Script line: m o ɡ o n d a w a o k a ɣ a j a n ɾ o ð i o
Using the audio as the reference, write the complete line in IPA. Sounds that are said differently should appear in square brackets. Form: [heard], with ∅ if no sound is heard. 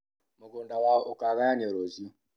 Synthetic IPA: m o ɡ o n d a w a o k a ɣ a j a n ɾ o [z] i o